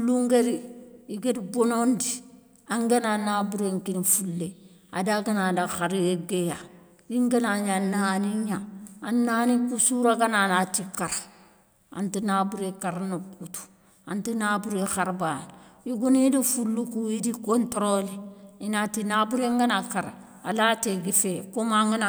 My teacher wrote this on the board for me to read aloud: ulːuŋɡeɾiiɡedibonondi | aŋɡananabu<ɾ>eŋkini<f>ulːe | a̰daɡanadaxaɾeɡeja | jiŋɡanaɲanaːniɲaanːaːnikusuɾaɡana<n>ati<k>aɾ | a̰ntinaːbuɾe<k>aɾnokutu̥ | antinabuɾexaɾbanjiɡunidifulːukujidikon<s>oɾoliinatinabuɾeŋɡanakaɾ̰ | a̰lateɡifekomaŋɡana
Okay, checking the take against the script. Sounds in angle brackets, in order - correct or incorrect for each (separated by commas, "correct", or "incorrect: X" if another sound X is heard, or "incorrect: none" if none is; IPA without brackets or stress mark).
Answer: correct, correct, correct, correct, correct, incorrect: t